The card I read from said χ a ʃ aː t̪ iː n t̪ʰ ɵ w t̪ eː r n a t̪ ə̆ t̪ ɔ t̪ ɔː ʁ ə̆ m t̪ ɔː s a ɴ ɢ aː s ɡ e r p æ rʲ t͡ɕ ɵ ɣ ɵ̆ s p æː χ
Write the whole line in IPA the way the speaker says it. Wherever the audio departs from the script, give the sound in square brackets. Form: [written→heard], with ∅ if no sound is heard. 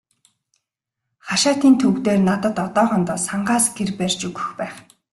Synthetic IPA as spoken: χ a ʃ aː t̪ iː n t̪ʰ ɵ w t̪ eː r n a t̪ ə̆ t̪ ɔ t̪ ɔː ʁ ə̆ [m→n] t̪ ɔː s a ɴ ɢ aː s ɡ e r p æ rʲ t͡ɕ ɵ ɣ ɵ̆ [s→x] p æː χ